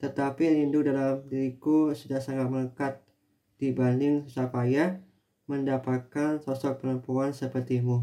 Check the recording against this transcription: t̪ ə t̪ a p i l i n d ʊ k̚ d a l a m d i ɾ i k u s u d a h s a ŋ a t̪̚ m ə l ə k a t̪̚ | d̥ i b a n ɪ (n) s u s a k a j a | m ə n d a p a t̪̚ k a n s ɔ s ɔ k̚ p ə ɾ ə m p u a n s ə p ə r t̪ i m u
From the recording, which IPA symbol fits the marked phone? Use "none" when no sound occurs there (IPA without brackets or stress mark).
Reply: ŋ